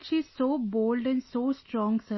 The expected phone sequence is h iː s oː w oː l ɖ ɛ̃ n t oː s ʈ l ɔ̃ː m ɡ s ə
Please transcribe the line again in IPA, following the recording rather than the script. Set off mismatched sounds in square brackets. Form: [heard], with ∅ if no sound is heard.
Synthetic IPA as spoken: [ʃ] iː s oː [b] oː l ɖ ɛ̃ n [s] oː s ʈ [ɾ] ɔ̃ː [ŋ] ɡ s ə